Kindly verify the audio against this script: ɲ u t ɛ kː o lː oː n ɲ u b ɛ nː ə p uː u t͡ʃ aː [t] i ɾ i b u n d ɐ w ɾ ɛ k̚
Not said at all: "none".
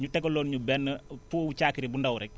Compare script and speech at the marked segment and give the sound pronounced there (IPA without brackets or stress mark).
k